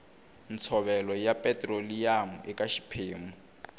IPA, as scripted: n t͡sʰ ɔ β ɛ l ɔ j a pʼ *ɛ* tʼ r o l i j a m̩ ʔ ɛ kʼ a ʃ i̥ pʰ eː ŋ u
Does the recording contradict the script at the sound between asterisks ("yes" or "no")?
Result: no